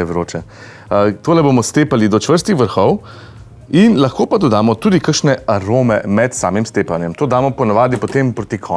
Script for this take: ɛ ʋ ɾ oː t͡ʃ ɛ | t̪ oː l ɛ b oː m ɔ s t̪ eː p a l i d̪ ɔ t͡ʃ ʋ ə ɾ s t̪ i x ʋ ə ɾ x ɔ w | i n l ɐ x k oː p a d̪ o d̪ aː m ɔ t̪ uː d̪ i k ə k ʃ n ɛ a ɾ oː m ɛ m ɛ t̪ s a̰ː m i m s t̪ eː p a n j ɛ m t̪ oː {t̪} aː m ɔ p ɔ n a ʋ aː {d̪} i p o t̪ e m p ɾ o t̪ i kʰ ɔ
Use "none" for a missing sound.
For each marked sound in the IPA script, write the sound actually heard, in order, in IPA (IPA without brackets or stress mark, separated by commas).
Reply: d̪, d̪